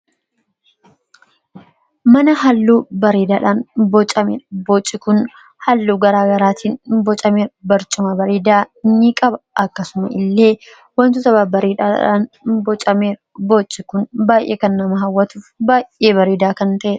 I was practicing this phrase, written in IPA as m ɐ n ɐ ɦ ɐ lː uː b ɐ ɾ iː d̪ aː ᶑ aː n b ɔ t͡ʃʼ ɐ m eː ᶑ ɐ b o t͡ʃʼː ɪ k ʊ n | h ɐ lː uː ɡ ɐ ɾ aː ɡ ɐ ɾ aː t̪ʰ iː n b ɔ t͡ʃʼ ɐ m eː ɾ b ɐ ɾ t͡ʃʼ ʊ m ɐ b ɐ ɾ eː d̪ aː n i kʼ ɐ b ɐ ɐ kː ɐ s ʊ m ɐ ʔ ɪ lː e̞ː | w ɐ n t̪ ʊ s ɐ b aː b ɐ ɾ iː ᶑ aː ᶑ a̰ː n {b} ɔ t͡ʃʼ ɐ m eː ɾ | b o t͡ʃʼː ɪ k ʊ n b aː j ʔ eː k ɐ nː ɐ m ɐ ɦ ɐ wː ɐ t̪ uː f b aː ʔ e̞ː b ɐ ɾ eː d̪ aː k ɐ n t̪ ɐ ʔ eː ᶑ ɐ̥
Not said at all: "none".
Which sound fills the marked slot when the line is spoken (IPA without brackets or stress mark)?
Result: b